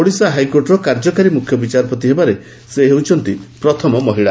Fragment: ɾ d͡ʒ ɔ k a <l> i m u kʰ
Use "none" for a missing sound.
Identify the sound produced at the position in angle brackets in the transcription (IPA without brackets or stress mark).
ɾ